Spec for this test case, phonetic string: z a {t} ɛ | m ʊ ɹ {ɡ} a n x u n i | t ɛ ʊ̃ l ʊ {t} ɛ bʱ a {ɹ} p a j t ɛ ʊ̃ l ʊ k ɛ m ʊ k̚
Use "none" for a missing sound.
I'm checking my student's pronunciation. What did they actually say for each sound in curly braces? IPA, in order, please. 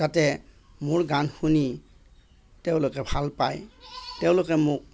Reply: t, ɡ, k, l

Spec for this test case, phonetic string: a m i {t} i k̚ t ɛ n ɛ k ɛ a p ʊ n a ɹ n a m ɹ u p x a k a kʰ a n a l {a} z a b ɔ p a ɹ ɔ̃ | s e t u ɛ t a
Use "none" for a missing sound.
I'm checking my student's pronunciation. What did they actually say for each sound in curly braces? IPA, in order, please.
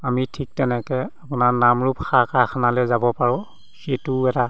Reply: tʰ, ɛ

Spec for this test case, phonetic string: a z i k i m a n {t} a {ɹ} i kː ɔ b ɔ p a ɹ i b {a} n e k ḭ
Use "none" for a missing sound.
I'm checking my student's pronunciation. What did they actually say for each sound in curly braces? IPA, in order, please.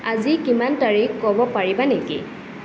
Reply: t, ɹ, a

